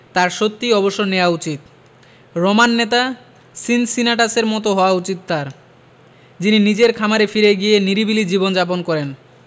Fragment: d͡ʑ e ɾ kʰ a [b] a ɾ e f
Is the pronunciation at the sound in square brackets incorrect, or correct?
incorrect